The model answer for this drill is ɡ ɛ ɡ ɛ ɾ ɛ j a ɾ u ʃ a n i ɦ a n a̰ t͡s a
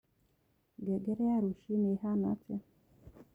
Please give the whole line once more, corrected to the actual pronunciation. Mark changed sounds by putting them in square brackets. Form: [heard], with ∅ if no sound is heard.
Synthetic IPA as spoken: ɡ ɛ ɡ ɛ ɾ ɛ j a ɾ u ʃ [i] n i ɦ a n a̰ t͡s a